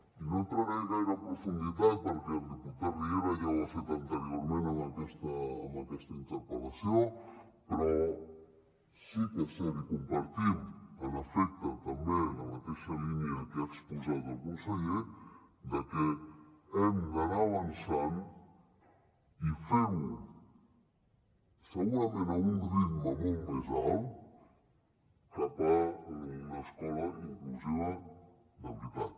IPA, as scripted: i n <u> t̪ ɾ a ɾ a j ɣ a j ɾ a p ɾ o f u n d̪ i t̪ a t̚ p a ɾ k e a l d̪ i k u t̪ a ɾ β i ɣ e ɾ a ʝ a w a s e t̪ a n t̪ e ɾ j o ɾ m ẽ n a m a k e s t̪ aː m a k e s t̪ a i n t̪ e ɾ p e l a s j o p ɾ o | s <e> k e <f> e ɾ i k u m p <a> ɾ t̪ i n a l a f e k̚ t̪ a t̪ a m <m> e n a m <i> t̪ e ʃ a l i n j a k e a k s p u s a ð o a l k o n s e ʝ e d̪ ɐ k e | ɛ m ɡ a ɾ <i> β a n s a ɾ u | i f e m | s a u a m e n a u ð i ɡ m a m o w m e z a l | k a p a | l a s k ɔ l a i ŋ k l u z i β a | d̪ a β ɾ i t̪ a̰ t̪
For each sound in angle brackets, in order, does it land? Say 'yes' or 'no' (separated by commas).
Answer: no, no, no, yes, no, no, no